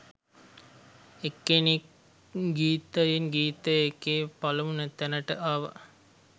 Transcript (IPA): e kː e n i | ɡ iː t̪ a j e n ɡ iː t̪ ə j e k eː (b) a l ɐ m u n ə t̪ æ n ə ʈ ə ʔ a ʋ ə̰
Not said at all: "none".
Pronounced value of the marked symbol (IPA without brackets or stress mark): p